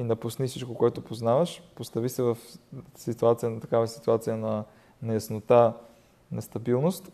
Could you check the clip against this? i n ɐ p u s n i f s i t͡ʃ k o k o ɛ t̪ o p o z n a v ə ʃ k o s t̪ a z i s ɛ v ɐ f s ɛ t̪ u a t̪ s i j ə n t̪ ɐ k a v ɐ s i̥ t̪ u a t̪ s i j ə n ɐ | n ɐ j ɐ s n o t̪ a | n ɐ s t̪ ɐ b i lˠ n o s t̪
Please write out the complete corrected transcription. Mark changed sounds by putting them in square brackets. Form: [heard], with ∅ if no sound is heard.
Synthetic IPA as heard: i n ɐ p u s n i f s i t͡ʃ k o k o ɛ t̪ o p o z n a v ə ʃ [p] o s t̪ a [v] i s ɛ v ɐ f s [i] t̪ u a t̪ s i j ə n t̪ ɐ k a v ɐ s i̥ t̪ u a t̪ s i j ə n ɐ | n ɐ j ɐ s n o t̪ a | n ɐ s t̪ ɐ b i lˠ n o s t̪